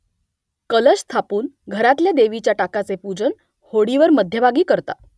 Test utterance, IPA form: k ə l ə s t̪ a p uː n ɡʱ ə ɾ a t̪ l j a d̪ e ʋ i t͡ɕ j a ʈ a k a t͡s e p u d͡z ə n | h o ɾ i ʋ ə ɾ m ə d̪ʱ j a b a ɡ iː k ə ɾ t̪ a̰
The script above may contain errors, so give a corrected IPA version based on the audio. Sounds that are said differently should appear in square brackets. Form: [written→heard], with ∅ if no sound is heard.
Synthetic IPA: k ə l ə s [t̪→t̪ʰ] a p uː n ɡʱ ə ɾ a t̪ l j a d̪ e ʋ i t͡ɕ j a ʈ a k a t͡s e p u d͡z ə n | h o [ɾ→ɽ] i ʋ ə ɾ m ə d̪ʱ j [a→ə] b a ɡ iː k ə ɾ t̪ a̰